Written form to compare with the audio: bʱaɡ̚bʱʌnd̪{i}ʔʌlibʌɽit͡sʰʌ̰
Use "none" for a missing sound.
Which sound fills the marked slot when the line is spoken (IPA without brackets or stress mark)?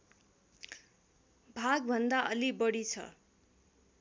a